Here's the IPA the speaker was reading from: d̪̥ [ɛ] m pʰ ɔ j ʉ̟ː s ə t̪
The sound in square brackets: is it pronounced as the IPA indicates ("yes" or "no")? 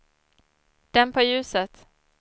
yes